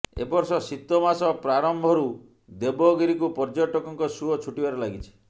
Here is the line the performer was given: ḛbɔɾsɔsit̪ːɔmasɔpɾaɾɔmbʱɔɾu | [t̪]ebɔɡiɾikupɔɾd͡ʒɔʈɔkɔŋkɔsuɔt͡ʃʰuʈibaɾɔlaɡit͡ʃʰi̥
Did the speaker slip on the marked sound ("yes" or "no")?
yes